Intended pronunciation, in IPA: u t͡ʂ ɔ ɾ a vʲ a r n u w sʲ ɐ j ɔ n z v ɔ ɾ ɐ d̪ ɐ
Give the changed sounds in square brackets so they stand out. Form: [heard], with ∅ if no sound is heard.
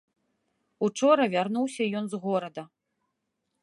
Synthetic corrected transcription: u t͡ʂ ɔ ɾ [ɐ] vʲ a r n u w sʲ ɐ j ɔ n z [ɣ] ɔ ɾ ɐ d̪ ɐ